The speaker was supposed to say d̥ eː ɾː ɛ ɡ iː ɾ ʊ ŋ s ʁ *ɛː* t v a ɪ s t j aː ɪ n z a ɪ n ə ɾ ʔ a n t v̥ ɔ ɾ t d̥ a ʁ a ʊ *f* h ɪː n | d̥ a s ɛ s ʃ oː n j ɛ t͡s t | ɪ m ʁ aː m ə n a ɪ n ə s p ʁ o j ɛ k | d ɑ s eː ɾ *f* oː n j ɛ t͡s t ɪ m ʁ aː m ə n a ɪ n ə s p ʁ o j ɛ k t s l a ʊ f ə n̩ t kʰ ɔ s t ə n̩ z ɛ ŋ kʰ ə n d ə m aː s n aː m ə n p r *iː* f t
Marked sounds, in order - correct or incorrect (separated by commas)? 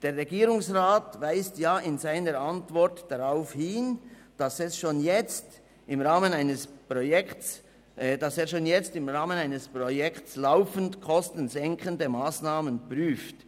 incorrect, correct, incorrect, incorrect